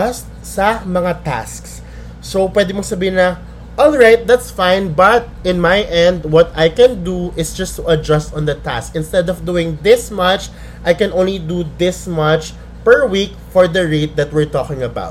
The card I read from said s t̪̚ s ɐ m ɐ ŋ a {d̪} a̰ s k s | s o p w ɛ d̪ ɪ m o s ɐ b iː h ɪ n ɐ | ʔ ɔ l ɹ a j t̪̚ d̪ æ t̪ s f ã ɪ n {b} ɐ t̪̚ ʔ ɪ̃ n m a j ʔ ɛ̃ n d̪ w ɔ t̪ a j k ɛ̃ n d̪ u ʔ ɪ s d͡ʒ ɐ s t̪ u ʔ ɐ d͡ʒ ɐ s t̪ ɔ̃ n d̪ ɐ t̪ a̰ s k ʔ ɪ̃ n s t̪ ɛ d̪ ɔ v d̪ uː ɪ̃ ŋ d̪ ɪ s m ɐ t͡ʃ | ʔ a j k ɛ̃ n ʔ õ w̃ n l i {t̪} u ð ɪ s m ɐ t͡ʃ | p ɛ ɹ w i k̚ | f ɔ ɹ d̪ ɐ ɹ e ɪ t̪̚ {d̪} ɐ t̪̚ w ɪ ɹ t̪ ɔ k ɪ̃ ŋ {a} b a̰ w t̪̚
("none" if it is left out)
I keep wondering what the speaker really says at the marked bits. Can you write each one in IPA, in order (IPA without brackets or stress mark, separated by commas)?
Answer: t̪, b, d̪, d̪, ɐ